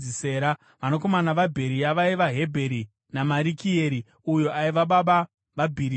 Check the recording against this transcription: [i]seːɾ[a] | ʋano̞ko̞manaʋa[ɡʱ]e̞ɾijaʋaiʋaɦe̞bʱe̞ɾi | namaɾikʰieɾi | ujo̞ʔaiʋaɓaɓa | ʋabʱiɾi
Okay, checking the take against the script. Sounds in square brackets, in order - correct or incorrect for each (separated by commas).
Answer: correct, correct, incorrect